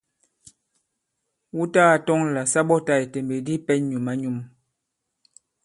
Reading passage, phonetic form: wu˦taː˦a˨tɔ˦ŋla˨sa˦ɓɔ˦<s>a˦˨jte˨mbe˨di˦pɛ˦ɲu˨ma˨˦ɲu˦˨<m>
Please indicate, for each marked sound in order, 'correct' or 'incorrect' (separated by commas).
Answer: incorrect, correct